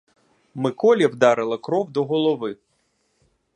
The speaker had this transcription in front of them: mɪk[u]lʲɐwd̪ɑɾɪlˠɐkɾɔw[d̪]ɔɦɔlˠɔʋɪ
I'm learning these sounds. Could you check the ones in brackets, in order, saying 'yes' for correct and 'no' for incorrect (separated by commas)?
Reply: no, yes